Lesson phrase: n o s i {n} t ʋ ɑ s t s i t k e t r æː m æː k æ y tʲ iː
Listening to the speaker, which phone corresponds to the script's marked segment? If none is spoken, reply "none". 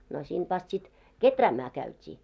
n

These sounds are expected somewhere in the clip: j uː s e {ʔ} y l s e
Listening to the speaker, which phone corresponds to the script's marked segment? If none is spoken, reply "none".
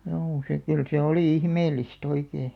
k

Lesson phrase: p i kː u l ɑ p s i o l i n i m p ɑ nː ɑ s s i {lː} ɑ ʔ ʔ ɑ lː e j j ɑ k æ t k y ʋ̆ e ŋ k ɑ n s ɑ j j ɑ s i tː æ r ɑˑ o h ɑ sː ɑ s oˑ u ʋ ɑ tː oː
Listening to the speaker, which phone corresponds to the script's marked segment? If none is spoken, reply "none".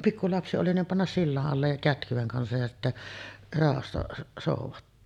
lː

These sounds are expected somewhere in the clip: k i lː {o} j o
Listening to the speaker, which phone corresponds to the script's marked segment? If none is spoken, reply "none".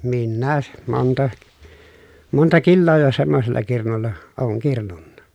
oː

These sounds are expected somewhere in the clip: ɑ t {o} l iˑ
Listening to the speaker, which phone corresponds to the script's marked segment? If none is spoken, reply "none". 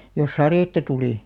u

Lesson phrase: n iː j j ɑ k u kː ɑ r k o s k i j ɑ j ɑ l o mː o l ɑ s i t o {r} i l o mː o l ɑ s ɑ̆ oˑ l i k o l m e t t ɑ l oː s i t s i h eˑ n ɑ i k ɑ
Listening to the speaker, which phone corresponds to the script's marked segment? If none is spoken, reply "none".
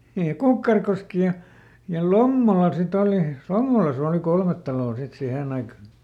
l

